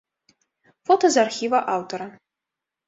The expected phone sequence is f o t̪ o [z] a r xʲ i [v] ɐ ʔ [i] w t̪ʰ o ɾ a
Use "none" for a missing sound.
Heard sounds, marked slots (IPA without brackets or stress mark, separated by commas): z, v, a